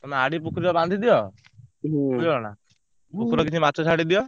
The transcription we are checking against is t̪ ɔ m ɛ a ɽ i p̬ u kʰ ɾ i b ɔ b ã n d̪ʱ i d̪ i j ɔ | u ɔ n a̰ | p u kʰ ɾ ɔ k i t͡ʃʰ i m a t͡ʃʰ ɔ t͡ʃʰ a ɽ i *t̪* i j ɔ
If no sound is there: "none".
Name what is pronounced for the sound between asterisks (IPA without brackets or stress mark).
d̪